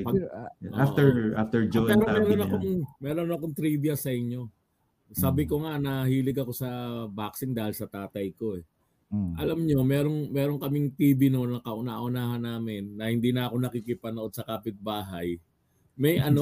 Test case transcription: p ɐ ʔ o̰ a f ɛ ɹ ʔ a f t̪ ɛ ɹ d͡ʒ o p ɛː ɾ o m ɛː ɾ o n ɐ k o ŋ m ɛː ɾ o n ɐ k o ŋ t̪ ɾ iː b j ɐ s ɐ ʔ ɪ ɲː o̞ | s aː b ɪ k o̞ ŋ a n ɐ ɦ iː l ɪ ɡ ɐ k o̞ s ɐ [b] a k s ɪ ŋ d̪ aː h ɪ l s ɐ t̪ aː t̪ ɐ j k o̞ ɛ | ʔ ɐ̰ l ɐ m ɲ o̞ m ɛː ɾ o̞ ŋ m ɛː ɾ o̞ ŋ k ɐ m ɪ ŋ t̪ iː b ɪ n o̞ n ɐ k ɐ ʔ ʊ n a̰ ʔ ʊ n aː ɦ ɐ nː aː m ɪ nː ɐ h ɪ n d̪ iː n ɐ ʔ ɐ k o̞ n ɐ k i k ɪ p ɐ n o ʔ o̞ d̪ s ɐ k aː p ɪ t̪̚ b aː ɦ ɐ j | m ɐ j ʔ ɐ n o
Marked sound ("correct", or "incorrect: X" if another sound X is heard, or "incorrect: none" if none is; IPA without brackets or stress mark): correct